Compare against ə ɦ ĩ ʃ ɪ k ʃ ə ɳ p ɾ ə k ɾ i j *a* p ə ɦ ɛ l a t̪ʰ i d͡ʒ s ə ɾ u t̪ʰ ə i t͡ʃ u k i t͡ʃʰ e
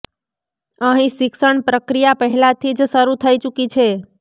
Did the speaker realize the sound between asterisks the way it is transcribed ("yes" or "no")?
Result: yes